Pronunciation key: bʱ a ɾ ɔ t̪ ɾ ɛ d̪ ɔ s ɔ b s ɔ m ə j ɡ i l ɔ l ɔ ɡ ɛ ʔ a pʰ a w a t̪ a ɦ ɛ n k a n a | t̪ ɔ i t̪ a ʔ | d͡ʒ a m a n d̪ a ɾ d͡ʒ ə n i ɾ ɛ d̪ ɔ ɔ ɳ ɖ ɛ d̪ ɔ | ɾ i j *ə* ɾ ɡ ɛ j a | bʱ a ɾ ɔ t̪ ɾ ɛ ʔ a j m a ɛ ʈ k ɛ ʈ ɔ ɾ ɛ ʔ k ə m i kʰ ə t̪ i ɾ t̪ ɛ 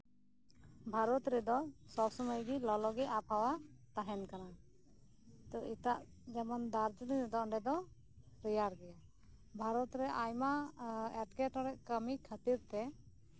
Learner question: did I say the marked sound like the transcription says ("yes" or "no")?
no